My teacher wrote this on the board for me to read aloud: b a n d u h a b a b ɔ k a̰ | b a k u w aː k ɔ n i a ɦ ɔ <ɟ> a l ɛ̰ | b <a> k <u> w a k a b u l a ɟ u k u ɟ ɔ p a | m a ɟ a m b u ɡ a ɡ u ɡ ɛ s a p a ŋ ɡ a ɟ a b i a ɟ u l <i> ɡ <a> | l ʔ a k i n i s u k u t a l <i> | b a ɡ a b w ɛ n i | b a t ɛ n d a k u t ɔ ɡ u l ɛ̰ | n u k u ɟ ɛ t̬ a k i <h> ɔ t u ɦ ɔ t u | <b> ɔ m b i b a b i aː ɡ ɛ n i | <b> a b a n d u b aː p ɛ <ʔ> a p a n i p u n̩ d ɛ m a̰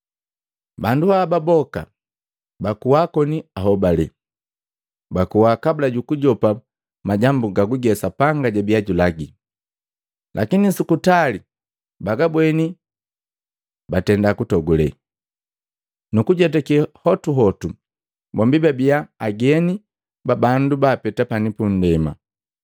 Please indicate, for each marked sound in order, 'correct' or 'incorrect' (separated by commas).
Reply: incorrect, correct, correct, incorrect, incorrect, correct, correct, correct, correct, incorrect